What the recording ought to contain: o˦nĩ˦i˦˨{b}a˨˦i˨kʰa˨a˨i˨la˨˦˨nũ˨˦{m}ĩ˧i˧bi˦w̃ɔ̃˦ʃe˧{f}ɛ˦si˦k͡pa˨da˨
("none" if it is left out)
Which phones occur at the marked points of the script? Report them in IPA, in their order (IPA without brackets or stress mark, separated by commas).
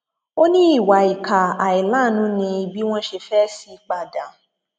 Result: w, n, f